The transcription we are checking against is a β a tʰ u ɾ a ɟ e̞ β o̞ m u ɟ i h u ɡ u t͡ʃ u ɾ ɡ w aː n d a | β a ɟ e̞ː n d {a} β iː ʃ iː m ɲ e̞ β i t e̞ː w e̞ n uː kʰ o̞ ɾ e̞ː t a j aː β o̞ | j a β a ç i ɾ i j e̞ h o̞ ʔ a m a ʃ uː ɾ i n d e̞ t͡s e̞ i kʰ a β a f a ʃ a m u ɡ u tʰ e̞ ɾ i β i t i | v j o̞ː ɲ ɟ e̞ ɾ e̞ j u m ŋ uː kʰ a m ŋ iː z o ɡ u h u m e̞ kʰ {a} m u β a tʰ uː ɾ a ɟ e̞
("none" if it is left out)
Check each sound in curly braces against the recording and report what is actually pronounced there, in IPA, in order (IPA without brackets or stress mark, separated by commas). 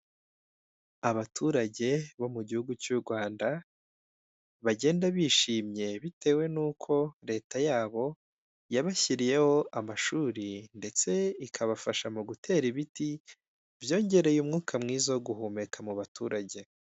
a, a